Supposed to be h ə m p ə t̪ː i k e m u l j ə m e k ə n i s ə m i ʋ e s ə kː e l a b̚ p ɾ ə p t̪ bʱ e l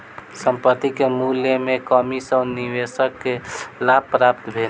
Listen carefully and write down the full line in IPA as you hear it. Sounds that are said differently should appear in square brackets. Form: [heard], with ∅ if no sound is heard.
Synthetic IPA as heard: [s] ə m p ə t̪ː i k e m u l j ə m e k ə [m] i s ə [n] i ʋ e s ə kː e l a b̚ p ɾ [a] p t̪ bʱ e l